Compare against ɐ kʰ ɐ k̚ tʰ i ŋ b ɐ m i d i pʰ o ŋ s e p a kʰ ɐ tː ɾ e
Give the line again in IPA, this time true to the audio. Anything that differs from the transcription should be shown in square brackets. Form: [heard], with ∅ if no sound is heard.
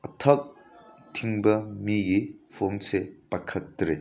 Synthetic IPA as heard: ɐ [tʰ] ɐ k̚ tʰ i ŋ b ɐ m i [ɡ] i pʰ o ŋ s e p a kʰ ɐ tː ɾ e